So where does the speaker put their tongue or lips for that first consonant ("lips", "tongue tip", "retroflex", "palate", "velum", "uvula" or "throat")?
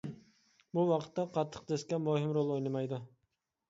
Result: lips